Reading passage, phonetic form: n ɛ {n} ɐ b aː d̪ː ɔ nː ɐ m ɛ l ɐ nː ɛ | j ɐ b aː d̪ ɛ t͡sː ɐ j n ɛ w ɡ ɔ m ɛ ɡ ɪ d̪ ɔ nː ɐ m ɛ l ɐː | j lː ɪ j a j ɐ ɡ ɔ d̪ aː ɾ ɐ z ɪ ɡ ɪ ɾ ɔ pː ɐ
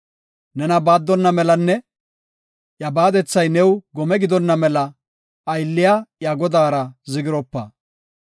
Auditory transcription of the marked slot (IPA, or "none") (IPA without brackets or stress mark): n